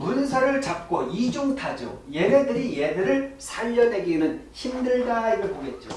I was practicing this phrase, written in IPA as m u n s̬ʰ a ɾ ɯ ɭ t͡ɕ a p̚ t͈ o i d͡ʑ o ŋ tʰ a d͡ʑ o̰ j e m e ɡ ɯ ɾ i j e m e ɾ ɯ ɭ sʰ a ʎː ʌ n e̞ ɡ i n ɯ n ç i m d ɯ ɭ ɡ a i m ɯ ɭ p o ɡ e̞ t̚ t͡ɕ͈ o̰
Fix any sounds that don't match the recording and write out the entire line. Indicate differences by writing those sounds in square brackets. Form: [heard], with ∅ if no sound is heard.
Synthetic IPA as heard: m u n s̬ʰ a ɾ ɯ ɭ t͡ɕ a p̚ [k͈] o i d͡ʑ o ŋ tʰ a d͡ʑ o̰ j e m e [d] ɯ ɾ i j e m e ɾ ɯ ɭ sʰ a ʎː ʌ n e̞ ɡ i n ɯ n ç i m d ɯ ɭ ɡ a i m ɯ ɭ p o ɡ e̞ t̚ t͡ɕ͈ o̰

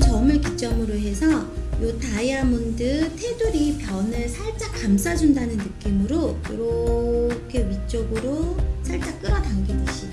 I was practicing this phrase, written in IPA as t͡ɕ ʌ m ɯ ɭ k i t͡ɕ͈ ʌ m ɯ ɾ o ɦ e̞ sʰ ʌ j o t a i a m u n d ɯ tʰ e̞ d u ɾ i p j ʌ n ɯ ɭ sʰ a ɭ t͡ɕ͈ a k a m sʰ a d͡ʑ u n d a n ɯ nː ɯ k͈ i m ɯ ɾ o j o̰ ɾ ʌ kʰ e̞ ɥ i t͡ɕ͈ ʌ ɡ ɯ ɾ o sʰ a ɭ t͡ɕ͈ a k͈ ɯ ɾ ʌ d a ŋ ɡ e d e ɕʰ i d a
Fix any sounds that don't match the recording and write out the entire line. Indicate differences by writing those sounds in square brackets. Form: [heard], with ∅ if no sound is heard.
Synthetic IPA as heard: t͡ɕ ʌ m ɯ ɭ k i t͡ɕ͈ ʌ m ɯ ɾ o ɦ e̞ sʰ ʌ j o t a i a m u n d ɯ tʰ e̞ d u ɾ i p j ʌ n ɯ ɭ sʰ a ɭ t͡ɕ͈ a k a m sʰ a d͡ʑ u n d a n ɯ nː ɯ k͈ i m ɯ ɾ o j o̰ ɾ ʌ kʰ e̞ ɥ i t͡ɕ͈ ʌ ɡ ɯ ɾ o sʰ a ɭ t͡ɕ͈ a k͈ ɯ ɾ ʌ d a ŋ ɡ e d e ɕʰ i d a

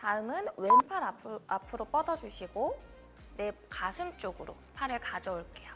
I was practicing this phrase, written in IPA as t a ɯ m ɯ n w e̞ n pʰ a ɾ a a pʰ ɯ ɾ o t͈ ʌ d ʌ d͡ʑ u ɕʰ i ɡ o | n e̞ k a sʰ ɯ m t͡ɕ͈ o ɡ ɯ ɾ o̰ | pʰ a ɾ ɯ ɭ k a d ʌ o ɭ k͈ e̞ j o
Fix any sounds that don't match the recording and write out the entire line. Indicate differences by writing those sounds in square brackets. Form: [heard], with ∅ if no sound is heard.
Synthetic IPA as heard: t a ɯ m ɯ n w e̞ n pʰ a ɾ a a pʰ ɯ ɾ o [p͈] ʌ d ʌ d͡ʑ u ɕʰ i ɡ o | n e̞ k a sʰ ɯ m t͡ɕ͈ o ɡ ɯ ɾ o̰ | pʰ a ɾ ɯ ɭ k a [d͡ʑ] ʌ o ɭ k͈ e̞ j o

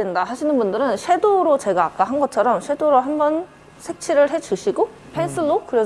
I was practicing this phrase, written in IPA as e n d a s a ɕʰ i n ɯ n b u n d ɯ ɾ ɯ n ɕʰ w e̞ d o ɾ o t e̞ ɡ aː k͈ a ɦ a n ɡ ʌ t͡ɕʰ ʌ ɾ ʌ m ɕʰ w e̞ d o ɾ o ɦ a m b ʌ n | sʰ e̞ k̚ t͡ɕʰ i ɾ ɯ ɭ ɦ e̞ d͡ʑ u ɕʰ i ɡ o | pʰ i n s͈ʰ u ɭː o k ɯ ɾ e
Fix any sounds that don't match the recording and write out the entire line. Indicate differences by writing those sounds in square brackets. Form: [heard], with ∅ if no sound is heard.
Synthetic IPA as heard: e n d a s a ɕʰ i n ɯ n b u n d ɯ ɾ ɯ n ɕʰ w e̞ d o ɾ o [t͡ɕ] e̞ ɡ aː k͈ a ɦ a n ɡ ʌ t͡ɕʰ ʌ ɾ ʌ m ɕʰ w e̞ d o ɾ o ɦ a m b ʌ n | sʰ e̞ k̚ t͡ɕʰ i ɾ ɯ ɭ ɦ e̞ d͡ʑ u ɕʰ i ɡ o | pʰ [e] n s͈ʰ [ɯ] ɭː o k ɯ ɾ e

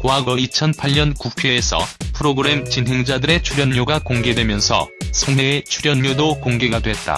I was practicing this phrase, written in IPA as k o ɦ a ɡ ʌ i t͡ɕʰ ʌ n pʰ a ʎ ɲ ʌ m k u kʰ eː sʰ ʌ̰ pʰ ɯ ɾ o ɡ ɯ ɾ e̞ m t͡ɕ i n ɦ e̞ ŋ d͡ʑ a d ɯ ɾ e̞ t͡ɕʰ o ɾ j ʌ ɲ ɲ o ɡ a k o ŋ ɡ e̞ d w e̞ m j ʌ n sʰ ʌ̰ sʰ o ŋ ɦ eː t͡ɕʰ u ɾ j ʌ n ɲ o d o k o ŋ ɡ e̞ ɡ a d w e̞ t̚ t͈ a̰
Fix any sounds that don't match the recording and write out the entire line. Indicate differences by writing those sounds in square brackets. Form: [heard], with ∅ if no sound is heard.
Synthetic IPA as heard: k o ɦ a ɡ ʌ i t͡ɕʰ ʌ n pʰ a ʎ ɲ ʌ [n] k u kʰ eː sʰ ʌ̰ pʰ ɯ ɾ o ɡ ɯ ɾ e̞ m t͡ɕ i n ɦ e̞ ŋ d͡ʑ a d ɯ ɾ e̞ t͡ɕʰ [u] ɾ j ʌ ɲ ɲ o ɡ a k o ŋ ɡ e̞ d w e̞ m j ʌ n sʰ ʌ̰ sʰ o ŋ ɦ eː t͡ɕʰ u ɾ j ʌ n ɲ o d o k o ŋ ɡ e̞ ɡ a d w e̞ t̚ t͈ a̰

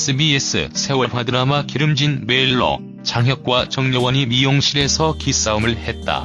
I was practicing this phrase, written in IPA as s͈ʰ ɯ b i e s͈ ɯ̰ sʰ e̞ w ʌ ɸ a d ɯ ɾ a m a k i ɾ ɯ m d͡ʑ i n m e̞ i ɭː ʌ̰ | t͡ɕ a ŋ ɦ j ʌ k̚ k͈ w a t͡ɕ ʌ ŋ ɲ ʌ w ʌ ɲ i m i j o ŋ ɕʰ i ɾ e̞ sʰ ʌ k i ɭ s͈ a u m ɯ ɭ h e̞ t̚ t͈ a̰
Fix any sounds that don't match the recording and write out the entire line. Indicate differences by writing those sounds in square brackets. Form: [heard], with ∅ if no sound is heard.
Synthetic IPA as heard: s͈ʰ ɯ b i e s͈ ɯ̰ sʰ e̞ w ʌ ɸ a d ɯ ɾ a m a k i ɾ ɯ m d͡ʑ i n m e̞ i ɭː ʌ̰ | t͡ɕ a ŋ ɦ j ʌ k̚ k͈ w a t͡ɕ ʌ ŋ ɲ ʌ w ʌ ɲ i m i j o ŋ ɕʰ i ɾ e̞ sʰ ʌ k i [∅] s͈ a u m ɯ ɭ h e̞ t̚ t͈ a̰

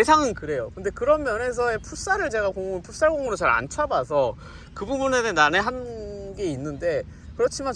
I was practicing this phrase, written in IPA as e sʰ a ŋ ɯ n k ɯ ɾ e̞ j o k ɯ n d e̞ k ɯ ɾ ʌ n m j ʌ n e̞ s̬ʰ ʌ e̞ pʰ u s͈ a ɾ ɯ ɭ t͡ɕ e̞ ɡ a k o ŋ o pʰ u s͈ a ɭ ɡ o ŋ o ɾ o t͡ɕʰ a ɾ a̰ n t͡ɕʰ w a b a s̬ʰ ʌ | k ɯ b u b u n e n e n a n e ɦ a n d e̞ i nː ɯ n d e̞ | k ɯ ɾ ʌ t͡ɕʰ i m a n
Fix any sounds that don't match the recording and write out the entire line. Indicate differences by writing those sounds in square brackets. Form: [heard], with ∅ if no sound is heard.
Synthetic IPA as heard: e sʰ a ŋ ɯ n k ɯ ɾ e̞ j o k ɯ n d e̞ k ɯ ɾ ʌ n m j ʌ n e̞ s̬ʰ ʌ e̞ pʰ u s͈ a ɾ ɯ ɭ t͡ɕ e̞ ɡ a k o ŋ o pʰ u s͈ a ɭ ɡ o ŋ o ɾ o [t͡ɕ] a ɾ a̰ n t͡ɕʰ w a b a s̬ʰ ʌ | k ɯ b u b u n e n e n a n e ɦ a n [ɡ] e̞ i nː ɯ n d e̞ | k ɯ ɾ ʌ t͡ɕʰ i m a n

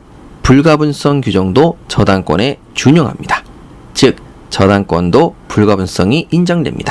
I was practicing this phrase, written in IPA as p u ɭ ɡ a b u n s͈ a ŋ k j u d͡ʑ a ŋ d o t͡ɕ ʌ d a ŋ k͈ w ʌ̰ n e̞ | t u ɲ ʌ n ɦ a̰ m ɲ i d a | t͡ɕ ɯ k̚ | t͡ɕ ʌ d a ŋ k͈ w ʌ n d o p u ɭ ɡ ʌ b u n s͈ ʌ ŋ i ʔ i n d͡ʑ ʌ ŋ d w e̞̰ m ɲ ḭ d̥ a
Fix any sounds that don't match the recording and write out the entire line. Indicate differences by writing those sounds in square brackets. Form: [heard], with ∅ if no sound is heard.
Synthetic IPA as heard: p u ɭ ɡ a b u n s͈ [ʌ] ŋ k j u d͡ʑ [ʌ] ŋ d o t͡ɕ ʌ d a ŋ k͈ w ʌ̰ n e̞ | [t͡ɕ] u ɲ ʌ [ŋ] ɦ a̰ m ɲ i d a | t͡ɕ ɯ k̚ | t͡ɕ ʌ d a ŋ k͈ w ʌ n d o p u ɭ ɡ [a] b u n s͈ ʌ ŋ i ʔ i n d͡ʑ ʌ ŋ d w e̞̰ m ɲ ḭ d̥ a

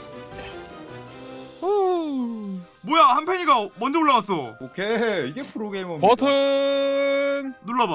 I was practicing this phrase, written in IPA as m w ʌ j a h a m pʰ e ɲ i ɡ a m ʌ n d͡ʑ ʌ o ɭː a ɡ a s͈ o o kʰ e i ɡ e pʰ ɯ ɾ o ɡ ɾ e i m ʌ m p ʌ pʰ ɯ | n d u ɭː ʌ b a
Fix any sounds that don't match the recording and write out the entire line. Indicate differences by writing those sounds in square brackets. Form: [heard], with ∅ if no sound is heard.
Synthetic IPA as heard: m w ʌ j a h a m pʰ e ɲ i ɡ a m ʌ n d͡ʑ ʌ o ɭː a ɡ a s͈ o o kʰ e i ɡ e pʰ ɯ ɾ o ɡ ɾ e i m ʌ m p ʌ [tʰ] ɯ | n [n] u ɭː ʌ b a

